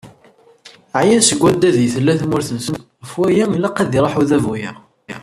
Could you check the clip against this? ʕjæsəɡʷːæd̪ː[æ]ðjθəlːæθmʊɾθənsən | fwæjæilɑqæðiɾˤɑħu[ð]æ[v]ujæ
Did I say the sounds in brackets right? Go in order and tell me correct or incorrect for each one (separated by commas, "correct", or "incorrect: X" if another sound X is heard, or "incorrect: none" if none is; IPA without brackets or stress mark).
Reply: correct, correct, correct